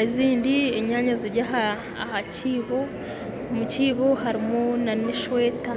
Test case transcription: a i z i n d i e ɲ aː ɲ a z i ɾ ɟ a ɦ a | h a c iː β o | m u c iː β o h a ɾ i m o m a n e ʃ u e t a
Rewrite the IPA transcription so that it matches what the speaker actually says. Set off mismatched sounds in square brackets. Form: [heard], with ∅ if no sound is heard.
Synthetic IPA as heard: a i z [iː] n d i e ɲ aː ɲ a z i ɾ ɟ a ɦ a | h a c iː β o | m u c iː β o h a ɾ i m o [n] a n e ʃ [w] e t a